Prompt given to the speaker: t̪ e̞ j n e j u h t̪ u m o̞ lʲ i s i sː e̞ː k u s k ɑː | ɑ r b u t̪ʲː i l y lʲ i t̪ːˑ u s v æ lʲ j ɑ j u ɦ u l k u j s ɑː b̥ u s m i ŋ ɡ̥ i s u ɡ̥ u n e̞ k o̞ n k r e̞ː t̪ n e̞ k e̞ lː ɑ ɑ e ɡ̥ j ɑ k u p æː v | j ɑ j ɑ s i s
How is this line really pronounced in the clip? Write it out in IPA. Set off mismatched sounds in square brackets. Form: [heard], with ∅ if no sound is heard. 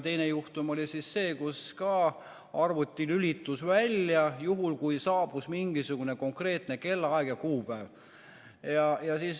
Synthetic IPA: t̪ e̞ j n e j u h t̪ u m o̞ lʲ i s i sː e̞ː k u s k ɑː | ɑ r [v] u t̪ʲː i l y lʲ i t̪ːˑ u s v æ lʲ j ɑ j u ɦ u l k u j s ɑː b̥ u s m i ŋ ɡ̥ i s u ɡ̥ u n e̞ k o̞ [ŋ] k r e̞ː t̪ n e̞ k e̞ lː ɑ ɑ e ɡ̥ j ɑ k [uː] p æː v | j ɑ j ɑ s i s